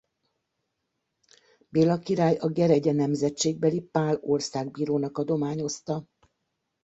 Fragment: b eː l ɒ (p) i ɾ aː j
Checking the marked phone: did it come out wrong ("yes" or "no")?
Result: yes